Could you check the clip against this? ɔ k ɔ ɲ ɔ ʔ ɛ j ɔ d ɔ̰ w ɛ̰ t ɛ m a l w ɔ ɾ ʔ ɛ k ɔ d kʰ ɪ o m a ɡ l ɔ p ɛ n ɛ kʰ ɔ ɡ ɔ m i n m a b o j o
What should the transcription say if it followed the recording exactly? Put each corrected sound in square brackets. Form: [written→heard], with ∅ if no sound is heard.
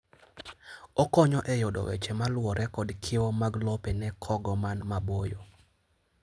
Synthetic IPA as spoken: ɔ k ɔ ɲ ɔ ʔ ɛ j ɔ d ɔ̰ w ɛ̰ [t→t͡ʃ] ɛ m a l w ɔ ɾ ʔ ɛ k ɔ d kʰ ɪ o m a ɡ l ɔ p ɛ n ɛ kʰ ɔ ɡ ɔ m [i→a] n m a b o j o